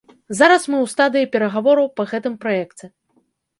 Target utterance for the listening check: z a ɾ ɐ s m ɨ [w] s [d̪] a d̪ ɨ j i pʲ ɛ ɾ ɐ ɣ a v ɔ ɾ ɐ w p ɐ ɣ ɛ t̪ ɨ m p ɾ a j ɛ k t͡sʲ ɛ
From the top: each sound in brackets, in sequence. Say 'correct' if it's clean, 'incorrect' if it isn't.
correct, incorrect: t̪

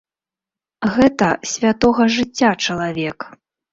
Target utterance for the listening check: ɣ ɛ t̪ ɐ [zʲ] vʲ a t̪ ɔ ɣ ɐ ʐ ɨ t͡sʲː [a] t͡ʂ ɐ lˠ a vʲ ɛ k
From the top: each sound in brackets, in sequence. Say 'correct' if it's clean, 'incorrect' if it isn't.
incorrect: sʲ, correct

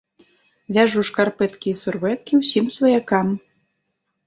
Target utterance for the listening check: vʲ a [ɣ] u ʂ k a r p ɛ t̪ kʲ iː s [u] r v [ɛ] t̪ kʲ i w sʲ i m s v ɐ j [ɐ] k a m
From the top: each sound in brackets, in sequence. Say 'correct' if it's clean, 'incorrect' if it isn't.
incorrect: ʐ, correct, correct, incorrect: a

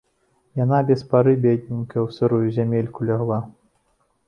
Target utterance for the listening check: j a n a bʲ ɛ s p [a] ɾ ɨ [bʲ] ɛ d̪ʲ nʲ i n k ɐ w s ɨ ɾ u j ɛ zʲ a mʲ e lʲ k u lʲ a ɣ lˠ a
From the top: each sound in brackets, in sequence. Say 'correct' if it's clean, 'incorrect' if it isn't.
correct, correct

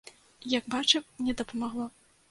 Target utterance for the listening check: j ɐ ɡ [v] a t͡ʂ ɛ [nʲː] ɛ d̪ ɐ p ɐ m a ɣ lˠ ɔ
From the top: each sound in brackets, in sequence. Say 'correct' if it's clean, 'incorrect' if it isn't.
incorrect: b, incorrect: nʲ

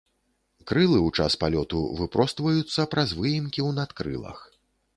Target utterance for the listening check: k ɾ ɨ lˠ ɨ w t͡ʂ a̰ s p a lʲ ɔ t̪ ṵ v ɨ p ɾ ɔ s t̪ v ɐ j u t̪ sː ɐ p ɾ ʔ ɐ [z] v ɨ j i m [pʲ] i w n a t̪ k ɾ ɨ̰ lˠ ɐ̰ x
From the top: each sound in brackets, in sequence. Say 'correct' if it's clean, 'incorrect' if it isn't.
correct, incorrect: kʲ

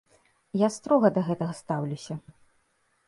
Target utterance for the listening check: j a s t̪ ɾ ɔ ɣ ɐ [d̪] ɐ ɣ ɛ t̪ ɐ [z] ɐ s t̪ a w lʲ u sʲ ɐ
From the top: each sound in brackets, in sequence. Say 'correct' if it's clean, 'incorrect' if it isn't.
correct, incorrect: ɣ

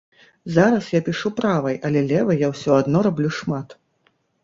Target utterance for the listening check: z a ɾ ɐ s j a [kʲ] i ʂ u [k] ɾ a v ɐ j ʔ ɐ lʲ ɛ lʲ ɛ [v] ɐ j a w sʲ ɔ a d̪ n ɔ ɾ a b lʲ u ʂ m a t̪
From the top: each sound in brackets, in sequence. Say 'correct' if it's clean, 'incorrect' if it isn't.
incorrect: pʲ, incorrect: p, correct

